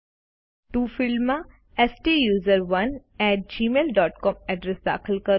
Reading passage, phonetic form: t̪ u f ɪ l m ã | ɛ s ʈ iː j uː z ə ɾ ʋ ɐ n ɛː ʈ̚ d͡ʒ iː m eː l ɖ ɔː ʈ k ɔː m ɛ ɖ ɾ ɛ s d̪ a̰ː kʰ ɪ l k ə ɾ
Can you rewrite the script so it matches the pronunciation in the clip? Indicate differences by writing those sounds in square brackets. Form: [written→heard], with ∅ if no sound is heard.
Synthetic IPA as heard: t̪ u f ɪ l m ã | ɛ s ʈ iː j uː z ə ɾ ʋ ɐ n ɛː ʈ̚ d͡ʒ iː m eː l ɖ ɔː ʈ k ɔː m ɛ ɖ ɾ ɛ s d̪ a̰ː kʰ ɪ l k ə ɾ